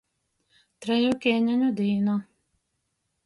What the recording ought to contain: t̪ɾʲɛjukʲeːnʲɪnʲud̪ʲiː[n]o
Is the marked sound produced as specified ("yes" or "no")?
yes